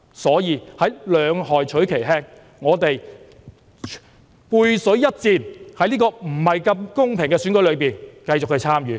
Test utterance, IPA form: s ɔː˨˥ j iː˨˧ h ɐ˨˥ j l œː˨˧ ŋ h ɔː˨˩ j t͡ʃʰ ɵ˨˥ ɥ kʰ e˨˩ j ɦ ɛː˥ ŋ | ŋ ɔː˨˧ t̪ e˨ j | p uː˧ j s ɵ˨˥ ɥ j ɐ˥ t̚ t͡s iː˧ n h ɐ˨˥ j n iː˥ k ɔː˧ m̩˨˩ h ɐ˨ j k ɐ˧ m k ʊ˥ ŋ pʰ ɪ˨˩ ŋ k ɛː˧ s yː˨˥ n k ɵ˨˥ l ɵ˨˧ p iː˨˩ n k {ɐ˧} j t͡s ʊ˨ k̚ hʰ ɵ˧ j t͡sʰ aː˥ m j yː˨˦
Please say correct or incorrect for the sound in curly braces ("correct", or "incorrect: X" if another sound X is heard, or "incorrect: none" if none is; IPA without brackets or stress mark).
correct